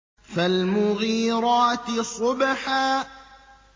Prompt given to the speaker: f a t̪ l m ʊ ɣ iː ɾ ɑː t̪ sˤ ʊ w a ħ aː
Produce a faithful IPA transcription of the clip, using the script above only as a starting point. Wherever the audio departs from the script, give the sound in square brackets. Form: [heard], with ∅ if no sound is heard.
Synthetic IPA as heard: f a [∅] l m ʊ ɣ iː ɾ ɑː t̪ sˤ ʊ [b] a ħ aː